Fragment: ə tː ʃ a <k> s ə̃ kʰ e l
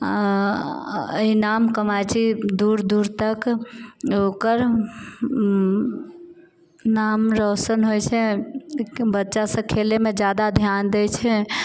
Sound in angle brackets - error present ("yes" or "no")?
yes